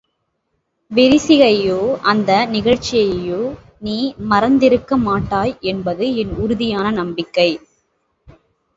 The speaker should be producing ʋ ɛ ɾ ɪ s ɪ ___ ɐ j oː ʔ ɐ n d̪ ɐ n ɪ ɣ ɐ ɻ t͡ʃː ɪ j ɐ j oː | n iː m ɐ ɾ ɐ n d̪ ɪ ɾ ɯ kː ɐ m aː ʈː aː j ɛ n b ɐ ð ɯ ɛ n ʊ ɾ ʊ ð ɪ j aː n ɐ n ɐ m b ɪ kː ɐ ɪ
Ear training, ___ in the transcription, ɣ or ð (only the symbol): ɣ